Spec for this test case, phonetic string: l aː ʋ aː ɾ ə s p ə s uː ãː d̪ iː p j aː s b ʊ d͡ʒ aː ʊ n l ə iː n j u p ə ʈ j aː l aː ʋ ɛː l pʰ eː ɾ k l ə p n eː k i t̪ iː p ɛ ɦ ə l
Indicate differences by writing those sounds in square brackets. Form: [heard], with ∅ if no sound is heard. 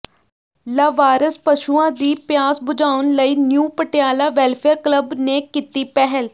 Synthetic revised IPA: l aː ʋ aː ɾ ə s p ə [ʃ] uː ãː d̪ iː p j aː s b ʊ d͡ʒ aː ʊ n l ə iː n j [uː] p ə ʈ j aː l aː ʋ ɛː l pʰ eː ɾ k l ə [b] n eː k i t̪ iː p ɛ ɦ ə l